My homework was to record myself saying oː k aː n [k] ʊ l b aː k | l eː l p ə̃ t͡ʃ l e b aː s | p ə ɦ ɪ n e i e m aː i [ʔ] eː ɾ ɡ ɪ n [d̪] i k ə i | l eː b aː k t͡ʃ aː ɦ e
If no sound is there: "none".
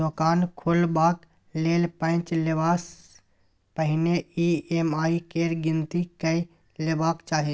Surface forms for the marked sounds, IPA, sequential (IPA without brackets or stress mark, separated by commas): kʰ, k, t̪